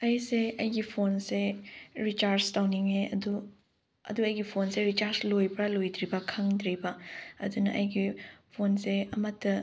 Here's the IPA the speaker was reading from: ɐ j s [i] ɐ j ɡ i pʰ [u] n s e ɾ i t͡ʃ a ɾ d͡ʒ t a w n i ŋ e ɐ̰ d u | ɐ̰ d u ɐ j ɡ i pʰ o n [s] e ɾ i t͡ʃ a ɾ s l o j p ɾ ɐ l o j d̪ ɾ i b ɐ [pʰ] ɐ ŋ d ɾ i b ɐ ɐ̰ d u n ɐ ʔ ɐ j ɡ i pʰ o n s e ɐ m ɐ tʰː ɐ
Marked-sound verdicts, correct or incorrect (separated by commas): incorrect, incorrect, correct, incorrect